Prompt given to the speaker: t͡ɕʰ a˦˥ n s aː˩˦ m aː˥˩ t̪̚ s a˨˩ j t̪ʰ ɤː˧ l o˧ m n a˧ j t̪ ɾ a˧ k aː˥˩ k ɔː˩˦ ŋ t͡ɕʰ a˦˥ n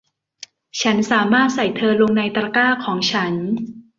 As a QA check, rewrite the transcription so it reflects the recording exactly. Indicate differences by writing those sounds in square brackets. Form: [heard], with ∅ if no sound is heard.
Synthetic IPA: t͡ɕʰ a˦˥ n s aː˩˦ m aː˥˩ t̪̚ s a˨˩ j t̪ʰ ɤː˧ l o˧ [ŋ] n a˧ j t̪ ɾ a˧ k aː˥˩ [kʰ] ɔː˩˦ ŋ t͡ɕʰ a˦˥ n